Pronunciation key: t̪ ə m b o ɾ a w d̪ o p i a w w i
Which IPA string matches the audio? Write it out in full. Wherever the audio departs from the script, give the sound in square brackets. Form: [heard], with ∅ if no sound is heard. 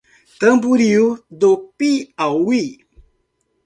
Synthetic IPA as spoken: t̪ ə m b [u] ɾ [i] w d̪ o p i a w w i

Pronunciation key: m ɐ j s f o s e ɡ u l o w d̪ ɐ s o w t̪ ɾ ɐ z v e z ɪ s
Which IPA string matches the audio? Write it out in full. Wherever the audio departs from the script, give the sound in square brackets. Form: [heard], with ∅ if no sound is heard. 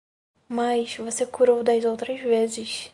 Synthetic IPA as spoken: m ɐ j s [v] o s e [k] u [ɾ] o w d̪ ɐ [z] o w t̪ ɾ ɐ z v e z ɪ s

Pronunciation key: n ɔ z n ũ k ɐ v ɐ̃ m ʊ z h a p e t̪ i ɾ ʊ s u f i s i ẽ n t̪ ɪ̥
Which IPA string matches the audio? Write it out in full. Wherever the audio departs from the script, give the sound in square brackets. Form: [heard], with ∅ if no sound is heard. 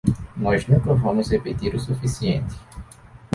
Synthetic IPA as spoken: n ɔ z n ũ k ɐ v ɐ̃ m ʊ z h [e] p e t̪ i ɾ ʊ s u f i s i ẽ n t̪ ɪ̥

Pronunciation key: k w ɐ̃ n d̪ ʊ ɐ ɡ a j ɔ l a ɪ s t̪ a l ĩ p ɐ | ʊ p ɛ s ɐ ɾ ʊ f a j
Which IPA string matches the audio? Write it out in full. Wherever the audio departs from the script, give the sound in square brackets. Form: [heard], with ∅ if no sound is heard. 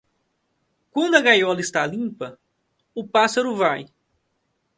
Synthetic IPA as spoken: k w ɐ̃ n d̪ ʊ ɐ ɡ a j ɔ l [ɐ] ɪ s t̪ a l ĩ p ɐ | ʊ p [a] s ɐ ɾ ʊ [v] a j

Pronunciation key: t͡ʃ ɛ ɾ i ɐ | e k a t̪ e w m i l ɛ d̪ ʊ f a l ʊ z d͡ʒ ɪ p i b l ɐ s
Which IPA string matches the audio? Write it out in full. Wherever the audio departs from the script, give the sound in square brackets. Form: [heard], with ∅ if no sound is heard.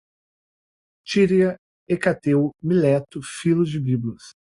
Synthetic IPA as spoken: t͡ʃ [i] ɾ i ɐ | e k a t̪ e w m i l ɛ [t̪] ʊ f [i] l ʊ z d͡ʒ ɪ [b] i b l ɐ s

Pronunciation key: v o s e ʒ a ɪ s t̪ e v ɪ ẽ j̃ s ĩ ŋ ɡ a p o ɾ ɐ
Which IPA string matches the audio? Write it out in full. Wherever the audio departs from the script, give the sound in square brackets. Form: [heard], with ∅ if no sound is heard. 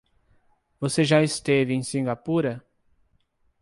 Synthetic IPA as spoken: v o s e ʒ a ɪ s t̪ e v ɪ ẽ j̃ s ĩ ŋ ɡ a p [u] ɾ ɐ

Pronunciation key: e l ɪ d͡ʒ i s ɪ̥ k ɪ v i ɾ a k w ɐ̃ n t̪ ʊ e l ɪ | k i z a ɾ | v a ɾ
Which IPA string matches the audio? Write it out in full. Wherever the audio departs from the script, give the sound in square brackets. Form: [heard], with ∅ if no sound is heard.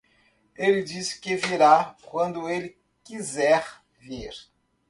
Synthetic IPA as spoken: e l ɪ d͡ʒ i s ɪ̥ k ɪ v i ɾ a k w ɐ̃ n [d̪] ʊ e l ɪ | k i z [ɛ] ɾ | v [i] ɾ

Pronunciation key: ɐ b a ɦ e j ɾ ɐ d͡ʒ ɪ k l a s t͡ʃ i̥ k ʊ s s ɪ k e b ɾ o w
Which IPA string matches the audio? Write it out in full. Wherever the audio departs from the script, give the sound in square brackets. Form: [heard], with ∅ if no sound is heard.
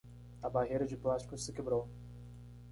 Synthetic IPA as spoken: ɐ b a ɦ e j ɾ ɐ d͡ʒ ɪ [p] l a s t͡ʃ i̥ k ʊ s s ɪ k e b ɾ o w

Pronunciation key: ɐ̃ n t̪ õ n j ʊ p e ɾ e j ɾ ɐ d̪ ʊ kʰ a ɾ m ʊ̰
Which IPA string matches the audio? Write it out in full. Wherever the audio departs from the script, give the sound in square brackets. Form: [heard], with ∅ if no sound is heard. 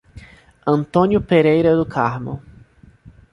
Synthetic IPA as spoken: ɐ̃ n t̪ õ n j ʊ p e ɾ e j ɾ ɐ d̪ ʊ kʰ a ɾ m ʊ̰

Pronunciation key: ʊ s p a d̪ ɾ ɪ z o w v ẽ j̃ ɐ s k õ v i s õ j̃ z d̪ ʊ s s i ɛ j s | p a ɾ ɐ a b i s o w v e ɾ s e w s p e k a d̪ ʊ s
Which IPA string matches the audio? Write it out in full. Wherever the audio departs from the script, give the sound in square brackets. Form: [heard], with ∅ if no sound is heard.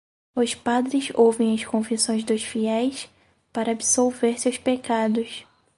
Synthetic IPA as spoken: ʊ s p a d̪ ɾ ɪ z o w v ẽ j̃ ɐ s k õ v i s õ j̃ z d̪ ʊ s [f] i ɛ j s | p a ɾ ɐ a b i s o w v e ɾ s e w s p e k a d̪ ʊ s

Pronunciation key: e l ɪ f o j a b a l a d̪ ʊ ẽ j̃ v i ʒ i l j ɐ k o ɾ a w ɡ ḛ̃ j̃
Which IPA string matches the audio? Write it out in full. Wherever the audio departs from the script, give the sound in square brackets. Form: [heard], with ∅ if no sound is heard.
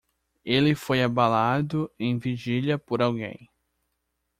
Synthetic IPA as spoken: e l ɪ f o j a b a l a d̪ ʊ ẽ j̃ v i ʒ i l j ɐ [p] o ɾ a w ɡ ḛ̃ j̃

